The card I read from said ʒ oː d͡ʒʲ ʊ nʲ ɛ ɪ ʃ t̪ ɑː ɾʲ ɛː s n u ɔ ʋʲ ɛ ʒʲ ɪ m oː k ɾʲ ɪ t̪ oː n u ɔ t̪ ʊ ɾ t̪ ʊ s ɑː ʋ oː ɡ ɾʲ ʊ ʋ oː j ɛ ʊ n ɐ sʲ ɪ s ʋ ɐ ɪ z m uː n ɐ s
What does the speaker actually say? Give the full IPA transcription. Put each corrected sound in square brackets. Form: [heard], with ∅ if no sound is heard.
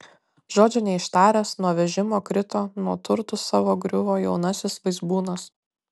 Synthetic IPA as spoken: ʒ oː d͡ʒʲ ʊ nʲ ɛ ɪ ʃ t̪ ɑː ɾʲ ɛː s n u ɔ ʋʲ ɛ ʒʲ ɪ m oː k ɾʲ ɪ t̪ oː n u ɔ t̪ ʊ ɾ t̪ ʊ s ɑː ʋ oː ɡ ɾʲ ʊ ʋ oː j ɛ ʊ n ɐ sʲ ɪ s ʋ ɐ ɪ z [b] uː n ɐ s